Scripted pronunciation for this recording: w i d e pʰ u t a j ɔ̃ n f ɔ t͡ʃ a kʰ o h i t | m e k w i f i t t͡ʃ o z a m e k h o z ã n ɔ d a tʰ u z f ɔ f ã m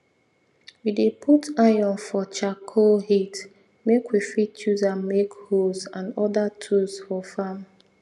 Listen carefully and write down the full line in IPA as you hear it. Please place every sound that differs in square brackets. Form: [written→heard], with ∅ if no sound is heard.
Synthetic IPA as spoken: w i d e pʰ u t a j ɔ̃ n f ɔ t͡ʃ a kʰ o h i t | m e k w i f i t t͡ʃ [o→u] z a m e k h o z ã n ɔ d a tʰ u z f ɔ f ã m